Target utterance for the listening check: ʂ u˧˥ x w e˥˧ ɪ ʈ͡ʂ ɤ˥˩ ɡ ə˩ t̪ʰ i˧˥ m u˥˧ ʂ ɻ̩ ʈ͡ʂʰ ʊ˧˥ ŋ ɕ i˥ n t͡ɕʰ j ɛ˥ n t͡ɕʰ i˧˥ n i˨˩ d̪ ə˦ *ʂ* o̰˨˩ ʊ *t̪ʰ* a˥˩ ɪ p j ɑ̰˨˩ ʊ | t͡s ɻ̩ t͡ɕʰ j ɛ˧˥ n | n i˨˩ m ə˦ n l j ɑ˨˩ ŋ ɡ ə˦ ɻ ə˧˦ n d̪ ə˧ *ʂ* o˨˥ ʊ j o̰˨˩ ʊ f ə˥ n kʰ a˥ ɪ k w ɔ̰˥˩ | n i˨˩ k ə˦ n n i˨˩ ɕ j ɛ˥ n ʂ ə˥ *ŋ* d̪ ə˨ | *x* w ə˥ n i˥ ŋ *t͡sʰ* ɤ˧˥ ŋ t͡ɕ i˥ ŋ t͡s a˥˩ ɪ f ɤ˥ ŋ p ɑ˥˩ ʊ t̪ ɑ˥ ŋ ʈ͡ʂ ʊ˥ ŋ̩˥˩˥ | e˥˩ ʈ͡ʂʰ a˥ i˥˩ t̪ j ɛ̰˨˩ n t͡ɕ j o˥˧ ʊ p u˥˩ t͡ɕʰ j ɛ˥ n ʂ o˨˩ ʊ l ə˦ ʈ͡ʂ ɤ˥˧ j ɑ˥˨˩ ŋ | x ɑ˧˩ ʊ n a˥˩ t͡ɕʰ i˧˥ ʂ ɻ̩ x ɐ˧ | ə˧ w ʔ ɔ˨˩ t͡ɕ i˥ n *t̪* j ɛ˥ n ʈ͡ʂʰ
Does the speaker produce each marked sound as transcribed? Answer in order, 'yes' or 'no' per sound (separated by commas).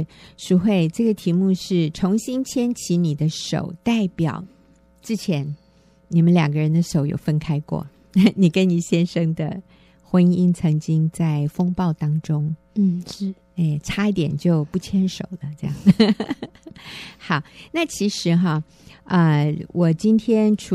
yes, no, yes, yes, yes, yes, no